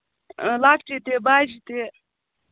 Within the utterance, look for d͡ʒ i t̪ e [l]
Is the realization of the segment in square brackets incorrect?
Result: yes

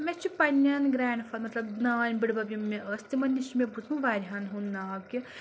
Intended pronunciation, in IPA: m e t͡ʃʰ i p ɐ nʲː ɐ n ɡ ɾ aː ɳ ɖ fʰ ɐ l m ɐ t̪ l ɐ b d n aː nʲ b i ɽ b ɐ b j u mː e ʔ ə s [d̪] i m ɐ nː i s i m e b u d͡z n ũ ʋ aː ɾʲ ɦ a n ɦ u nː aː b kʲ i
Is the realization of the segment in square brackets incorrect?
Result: yes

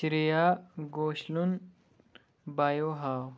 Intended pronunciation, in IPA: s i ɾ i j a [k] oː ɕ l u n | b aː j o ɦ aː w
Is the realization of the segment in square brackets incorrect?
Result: yes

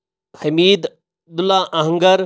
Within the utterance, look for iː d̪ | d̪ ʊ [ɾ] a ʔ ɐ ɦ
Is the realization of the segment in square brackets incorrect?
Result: yes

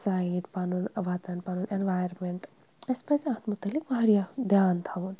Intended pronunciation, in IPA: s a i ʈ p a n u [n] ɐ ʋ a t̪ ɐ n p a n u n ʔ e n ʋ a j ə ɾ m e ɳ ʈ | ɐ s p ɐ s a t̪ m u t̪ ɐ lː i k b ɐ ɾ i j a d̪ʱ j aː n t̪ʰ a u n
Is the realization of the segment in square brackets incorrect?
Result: no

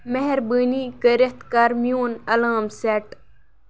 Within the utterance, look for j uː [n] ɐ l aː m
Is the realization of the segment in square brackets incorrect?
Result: no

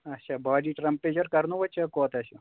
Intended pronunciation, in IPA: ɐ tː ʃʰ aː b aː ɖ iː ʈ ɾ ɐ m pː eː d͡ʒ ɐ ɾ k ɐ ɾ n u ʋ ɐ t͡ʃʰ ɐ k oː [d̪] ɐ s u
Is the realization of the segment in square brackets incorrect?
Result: yes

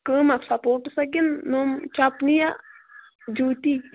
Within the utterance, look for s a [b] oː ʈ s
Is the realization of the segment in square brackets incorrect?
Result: yes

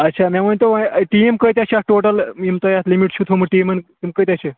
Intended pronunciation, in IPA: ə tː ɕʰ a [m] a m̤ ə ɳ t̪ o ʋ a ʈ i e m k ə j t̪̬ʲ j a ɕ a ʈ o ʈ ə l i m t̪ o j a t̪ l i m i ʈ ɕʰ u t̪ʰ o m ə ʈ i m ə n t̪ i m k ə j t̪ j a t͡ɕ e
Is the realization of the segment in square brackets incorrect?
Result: no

